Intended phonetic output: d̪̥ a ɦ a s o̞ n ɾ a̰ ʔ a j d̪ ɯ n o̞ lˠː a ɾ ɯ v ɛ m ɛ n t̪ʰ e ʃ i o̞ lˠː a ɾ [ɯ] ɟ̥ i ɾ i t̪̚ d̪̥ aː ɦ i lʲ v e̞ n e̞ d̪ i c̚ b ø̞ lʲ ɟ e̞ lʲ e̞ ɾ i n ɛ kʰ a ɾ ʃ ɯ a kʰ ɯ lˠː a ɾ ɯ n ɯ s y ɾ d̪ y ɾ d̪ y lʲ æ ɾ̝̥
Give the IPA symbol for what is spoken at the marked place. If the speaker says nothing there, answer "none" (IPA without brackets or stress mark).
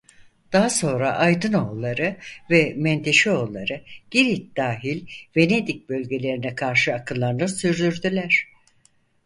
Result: ɯ